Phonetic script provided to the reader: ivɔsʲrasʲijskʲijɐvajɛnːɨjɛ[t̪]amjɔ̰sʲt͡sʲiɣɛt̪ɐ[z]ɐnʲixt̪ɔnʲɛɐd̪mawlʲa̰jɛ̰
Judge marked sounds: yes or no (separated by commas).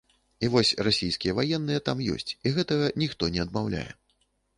yes, no